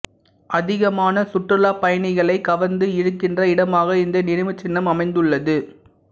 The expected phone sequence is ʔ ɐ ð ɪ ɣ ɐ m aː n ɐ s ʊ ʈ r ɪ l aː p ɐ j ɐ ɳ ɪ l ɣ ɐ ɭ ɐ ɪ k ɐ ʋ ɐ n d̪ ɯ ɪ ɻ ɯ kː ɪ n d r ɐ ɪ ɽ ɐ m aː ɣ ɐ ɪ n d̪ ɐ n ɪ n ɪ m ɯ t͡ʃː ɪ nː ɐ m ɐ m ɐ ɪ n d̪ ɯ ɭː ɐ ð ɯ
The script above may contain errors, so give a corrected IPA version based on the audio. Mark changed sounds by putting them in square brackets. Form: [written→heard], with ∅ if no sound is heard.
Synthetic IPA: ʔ ɐ ð ɪ ɣ ɐ m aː n ɐ s ʊ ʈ r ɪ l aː p ɐ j ɐ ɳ ɪ [l→∅] ɣ ɐ ɭ ɐ ɪ k ɐ ʋ ɐ n d̪ ɯ ɪ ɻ ɯ kː ɪ n d r ɐ ɪ ɽ ɐ m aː ɣ ɐ ɪ n d̪ ɐ n ɪ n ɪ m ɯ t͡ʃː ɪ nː ɐ m ɐ m ɐ ɪ n d̪ ɯ ɭː ɐ ð ɯ